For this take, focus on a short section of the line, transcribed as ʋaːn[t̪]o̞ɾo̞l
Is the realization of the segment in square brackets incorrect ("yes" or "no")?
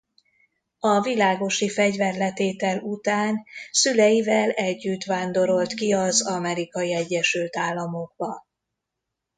yes